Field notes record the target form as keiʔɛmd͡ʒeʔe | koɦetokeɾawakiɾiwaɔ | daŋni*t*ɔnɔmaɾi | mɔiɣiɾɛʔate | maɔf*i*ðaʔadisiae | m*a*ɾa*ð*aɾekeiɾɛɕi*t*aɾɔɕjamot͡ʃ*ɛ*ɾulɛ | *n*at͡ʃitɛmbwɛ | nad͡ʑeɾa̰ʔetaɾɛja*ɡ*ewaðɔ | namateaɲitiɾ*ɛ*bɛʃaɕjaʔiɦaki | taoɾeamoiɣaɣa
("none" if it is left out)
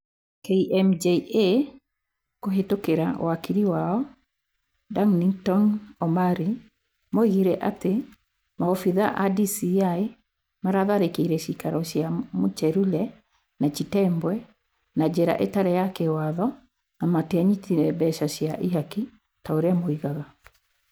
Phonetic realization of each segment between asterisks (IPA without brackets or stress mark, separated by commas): t, i, a, ð, k, ɛ, n, k, ɛ